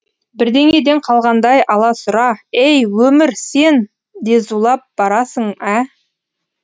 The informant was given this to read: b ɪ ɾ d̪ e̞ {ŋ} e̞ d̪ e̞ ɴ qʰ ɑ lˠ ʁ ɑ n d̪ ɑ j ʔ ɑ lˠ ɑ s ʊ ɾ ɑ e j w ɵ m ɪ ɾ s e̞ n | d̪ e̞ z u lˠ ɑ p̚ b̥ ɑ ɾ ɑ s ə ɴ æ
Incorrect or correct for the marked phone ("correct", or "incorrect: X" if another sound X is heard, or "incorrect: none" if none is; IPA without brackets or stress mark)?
correct